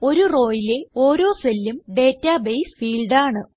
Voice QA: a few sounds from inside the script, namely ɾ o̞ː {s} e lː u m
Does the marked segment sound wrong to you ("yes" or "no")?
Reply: no